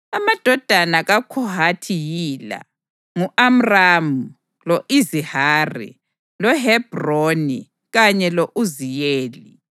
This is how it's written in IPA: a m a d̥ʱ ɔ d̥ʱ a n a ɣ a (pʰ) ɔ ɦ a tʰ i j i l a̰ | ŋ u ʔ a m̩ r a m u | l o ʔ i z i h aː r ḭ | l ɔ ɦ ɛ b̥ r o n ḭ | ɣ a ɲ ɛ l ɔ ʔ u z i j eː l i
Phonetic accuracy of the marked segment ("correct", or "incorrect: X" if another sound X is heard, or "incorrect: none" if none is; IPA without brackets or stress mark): incorrect: kʰ